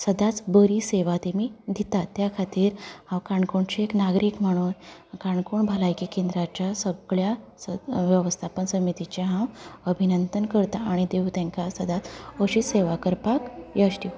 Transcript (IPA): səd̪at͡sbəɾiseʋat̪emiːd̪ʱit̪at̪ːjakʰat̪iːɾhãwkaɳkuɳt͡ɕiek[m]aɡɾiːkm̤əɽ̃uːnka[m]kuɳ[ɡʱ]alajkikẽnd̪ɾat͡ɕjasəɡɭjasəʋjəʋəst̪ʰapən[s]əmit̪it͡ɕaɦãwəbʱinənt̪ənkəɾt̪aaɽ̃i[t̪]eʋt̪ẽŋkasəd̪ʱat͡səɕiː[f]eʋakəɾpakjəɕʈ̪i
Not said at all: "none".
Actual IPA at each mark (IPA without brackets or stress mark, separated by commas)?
n, ɳ, bʱ, s, d̪, s